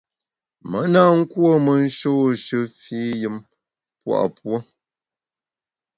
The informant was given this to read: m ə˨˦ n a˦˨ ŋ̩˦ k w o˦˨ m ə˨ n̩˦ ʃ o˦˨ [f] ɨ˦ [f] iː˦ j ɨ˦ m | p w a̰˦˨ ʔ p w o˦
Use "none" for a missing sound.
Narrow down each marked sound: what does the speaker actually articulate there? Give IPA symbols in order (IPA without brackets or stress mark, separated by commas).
ʃ, f